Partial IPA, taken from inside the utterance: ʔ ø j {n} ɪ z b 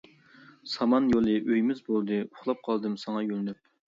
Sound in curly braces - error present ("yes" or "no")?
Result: yes